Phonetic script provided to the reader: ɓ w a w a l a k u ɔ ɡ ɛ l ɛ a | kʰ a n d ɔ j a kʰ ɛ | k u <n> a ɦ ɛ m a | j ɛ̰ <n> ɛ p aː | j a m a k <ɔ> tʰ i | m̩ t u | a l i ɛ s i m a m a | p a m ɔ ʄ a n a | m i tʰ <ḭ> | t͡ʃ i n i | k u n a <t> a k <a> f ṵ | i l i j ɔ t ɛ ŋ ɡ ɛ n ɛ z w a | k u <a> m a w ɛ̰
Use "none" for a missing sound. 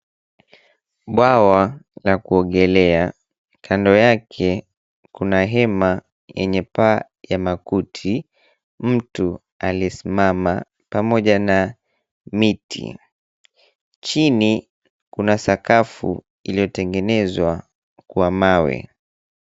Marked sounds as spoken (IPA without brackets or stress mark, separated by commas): n, ɲ, u, ḭ, s, a, a